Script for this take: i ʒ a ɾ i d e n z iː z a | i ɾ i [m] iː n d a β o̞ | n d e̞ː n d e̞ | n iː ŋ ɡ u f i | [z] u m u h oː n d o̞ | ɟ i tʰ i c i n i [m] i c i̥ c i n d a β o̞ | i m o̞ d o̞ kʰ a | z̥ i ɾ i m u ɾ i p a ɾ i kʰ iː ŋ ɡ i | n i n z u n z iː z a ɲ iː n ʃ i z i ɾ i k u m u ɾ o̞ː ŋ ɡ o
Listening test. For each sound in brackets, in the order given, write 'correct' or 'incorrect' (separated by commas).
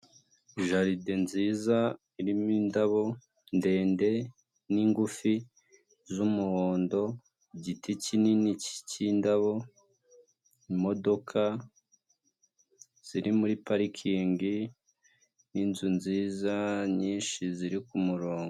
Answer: correct, correct, incorrect